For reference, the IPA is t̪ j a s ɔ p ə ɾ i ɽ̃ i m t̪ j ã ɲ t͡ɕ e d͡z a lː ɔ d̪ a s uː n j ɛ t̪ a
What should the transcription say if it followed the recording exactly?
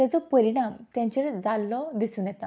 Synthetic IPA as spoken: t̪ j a t͡s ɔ p ə ɾ i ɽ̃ a m t̪ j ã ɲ t͡ɕ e d͡z a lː ɔ d̪ i s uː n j ɛ t̪ a